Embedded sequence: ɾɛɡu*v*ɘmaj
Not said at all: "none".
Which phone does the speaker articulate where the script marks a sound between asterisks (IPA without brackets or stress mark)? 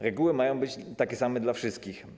w